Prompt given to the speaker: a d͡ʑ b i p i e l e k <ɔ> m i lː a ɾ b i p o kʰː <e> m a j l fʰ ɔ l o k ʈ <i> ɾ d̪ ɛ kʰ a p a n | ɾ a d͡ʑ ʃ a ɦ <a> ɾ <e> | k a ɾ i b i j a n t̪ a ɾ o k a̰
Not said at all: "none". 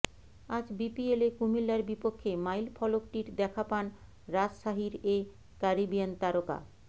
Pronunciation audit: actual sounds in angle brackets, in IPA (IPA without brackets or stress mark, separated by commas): u, e, i, i, e